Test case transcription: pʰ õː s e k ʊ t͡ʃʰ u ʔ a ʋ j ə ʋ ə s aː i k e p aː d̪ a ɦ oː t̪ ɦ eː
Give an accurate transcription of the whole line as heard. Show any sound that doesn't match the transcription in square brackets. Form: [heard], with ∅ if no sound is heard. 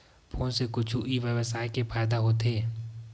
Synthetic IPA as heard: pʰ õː s e k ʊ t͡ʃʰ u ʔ [i] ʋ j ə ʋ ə s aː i k e p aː d̪ a ɦ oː t̪ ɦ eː